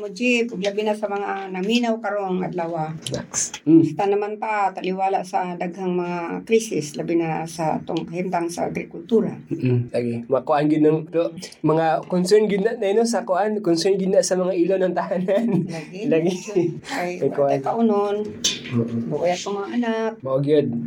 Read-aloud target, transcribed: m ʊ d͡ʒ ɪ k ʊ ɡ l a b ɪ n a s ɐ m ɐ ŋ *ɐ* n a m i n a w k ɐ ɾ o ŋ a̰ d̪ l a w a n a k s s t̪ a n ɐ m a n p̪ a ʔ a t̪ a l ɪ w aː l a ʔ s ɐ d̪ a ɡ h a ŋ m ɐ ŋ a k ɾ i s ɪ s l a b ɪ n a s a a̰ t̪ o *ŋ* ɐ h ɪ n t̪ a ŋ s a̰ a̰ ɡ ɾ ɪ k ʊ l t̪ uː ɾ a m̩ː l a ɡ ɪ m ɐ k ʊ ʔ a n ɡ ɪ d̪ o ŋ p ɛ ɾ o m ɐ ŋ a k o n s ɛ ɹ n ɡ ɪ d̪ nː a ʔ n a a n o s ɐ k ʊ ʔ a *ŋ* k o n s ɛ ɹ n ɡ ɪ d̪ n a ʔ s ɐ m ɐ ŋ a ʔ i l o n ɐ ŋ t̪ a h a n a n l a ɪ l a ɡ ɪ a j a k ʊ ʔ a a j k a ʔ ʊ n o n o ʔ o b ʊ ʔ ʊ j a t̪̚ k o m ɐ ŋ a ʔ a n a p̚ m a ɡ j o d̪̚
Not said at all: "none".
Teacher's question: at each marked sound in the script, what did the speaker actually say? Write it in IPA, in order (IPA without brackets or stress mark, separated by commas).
a, ŋ, n